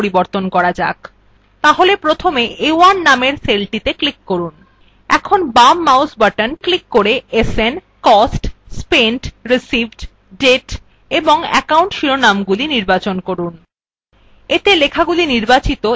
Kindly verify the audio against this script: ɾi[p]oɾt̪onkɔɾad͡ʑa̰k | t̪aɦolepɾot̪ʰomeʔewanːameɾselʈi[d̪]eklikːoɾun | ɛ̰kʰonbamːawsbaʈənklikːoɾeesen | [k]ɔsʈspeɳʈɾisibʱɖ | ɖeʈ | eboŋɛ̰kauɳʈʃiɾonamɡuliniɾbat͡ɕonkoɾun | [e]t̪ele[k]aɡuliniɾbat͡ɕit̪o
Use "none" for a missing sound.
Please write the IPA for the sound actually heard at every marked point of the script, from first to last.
b, t̪, k, e, kʰ

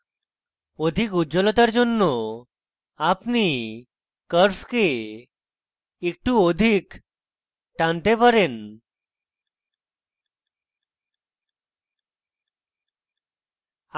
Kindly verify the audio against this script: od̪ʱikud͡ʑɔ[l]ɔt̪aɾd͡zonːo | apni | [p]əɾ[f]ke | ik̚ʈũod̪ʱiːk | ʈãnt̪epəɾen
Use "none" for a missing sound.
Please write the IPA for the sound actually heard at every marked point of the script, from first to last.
l, k, f

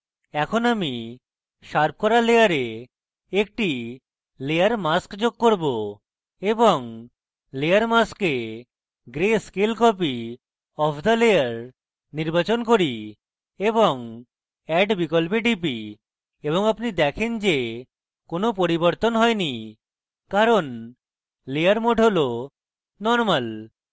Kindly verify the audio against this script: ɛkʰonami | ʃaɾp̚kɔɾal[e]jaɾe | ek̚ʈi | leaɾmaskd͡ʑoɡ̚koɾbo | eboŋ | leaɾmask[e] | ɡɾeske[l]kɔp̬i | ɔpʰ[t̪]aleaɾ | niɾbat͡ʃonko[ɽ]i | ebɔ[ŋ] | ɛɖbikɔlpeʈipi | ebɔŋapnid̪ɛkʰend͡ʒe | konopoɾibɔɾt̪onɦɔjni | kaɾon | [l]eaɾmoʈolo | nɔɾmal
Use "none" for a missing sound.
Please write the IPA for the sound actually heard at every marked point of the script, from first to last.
e, e, l, d̪, ɾ, ŋ, l

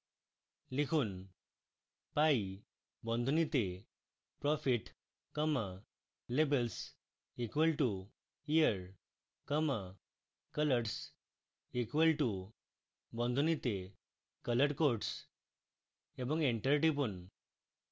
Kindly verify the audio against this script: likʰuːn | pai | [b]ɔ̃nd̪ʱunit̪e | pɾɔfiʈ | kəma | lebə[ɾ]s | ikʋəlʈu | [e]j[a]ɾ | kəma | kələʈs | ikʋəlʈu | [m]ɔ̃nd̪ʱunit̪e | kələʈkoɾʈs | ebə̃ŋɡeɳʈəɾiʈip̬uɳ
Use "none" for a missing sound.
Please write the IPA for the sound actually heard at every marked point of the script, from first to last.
b, l, i, ə, b

